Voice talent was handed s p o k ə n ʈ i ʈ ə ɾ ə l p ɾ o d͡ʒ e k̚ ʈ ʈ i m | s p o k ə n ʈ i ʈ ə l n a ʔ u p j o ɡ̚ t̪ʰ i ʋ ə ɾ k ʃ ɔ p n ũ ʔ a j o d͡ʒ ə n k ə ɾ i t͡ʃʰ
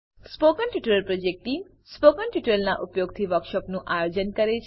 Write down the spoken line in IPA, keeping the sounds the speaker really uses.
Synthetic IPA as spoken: s p o k ə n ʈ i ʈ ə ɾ ə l p ɾ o d͡ʒ e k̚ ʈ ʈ i m | s p o k ə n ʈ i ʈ ə l n a ʔ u p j o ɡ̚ t̪ʰ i ʋ ə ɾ k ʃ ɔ p n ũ ʔ a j o d͡ʒ ə n k ə ɾ e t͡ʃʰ